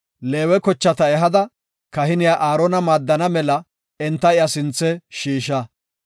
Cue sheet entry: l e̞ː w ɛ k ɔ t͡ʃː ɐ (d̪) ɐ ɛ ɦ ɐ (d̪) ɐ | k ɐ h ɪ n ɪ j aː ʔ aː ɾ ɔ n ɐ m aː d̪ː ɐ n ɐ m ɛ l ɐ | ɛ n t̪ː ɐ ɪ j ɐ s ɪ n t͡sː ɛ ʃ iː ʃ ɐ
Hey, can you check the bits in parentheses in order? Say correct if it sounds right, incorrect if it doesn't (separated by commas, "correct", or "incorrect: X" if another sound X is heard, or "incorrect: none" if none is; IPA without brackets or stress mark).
incorrect: t̪, correct